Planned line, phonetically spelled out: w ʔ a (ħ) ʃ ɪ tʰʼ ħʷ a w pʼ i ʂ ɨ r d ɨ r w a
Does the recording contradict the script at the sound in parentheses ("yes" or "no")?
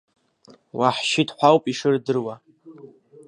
no